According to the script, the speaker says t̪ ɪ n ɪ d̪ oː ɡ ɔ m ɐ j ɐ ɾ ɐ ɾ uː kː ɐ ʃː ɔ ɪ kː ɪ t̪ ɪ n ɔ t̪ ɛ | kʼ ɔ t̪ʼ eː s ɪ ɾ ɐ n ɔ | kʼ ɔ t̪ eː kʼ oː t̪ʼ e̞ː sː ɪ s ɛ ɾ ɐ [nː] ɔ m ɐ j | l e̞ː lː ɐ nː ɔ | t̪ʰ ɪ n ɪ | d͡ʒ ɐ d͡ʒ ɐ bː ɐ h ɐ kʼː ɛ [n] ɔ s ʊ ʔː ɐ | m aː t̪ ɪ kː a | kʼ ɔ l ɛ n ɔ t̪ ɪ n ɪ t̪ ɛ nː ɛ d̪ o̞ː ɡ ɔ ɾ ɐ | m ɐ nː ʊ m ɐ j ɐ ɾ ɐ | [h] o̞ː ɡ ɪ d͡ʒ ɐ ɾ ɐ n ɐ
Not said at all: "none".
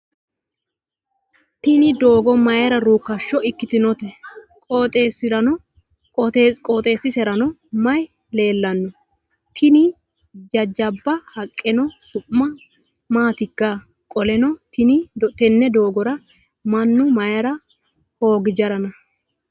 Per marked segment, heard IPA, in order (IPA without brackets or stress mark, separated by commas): n, n, h